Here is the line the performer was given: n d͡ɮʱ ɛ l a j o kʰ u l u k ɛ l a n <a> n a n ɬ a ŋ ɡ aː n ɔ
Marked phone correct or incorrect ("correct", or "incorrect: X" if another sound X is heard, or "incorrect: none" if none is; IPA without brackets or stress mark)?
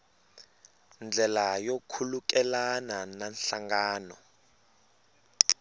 correct